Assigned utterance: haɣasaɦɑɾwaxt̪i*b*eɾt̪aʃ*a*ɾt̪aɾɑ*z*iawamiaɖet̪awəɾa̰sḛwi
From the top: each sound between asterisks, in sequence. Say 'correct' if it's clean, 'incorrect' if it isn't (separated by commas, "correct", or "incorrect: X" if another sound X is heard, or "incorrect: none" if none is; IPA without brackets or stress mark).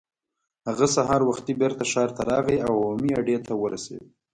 correct, incorrect: ɑ, incorrect: ɣ